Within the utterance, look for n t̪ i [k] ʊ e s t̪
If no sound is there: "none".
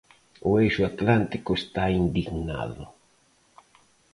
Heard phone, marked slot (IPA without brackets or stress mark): k